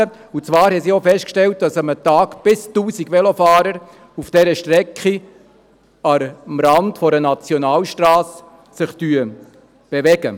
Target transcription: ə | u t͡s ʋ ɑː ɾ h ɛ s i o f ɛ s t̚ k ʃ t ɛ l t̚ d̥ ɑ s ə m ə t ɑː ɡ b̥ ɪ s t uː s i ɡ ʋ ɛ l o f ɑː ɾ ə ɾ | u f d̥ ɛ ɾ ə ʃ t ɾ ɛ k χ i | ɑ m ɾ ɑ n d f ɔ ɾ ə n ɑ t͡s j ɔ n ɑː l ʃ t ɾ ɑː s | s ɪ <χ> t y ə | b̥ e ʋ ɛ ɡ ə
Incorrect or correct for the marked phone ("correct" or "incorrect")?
correct